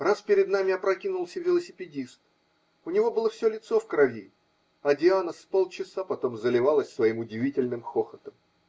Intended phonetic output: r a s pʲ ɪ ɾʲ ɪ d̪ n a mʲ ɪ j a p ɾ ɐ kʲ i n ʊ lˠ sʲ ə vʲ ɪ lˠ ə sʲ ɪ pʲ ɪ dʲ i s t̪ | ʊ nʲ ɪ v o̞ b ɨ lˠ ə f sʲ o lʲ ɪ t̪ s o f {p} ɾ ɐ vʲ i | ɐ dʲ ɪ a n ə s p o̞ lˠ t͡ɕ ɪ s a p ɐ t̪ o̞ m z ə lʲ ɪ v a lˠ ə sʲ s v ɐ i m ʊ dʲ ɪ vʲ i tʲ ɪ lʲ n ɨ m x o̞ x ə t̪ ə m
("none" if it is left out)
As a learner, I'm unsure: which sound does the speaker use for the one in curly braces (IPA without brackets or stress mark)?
k